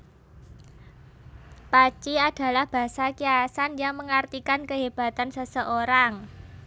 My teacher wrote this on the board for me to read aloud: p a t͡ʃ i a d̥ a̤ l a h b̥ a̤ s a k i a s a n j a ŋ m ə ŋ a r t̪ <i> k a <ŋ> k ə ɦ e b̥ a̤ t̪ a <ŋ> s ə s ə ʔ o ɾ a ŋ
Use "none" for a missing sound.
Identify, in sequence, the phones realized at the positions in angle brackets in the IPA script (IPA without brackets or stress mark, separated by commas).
i, n, n